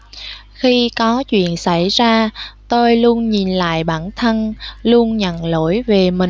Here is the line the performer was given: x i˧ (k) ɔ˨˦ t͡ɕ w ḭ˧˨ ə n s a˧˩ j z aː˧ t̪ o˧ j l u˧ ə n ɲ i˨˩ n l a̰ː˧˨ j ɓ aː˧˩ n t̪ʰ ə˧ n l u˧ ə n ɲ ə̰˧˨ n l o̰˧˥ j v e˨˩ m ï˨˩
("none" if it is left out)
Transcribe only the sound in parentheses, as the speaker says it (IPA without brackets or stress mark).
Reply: k